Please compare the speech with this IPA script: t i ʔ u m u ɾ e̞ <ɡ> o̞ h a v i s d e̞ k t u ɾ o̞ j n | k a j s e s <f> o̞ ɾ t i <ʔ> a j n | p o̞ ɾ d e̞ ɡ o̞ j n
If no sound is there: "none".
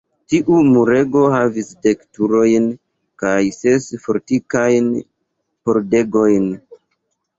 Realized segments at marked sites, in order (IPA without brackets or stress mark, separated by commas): ɡ, f, k